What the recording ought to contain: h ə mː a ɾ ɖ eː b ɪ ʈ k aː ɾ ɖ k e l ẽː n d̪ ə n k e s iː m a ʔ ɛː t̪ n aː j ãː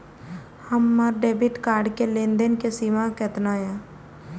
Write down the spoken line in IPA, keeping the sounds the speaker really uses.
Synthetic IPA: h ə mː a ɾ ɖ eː b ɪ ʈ k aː ɾ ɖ k e l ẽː n d̪ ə n k e s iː m a k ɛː t̪ n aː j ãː

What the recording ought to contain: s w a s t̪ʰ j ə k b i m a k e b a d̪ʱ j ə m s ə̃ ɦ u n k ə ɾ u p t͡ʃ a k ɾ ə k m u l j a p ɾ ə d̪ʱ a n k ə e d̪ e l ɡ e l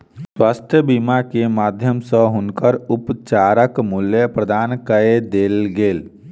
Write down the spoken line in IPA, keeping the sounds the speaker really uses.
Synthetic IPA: s w a s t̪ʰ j ə b i m a k e m a d̪ʱ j ə m s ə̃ ɦ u n k ə ɾ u p t͡ʃ a ɾ ə k m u l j ə p ɾ ə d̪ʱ a n k ə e d̪ e l ɡ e l

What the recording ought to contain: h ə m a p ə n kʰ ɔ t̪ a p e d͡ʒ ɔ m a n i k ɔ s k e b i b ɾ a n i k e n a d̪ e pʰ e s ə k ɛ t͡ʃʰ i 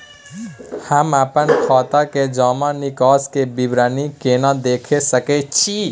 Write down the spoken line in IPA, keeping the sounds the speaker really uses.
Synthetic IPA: h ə m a p ə n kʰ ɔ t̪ a k e d͡ʒ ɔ m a n i k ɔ s k e b i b ɾ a n i k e n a d̪ e kʰ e s ə k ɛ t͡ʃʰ i

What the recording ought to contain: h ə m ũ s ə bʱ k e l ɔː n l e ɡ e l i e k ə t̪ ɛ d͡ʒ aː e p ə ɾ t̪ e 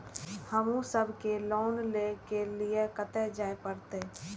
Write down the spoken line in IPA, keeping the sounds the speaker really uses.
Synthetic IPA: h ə m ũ s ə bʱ k e l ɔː n l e k e l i e k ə t̪ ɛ d͡ʒ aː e p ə ɾ t̪ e

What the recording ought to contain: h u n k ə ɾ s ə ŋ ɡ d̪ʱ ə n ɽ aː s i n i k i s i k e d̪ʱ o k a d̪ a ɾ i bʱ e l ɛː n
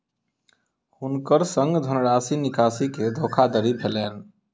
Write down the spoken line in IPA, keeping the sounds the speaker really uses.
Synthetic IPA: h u n k ə ɾ s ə ŋ ɡ d̪ʱ ə n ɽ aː s i n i k a s i k e d̪ʱ o kʰ a d̪ ə ɾ i bʱ e l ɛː n

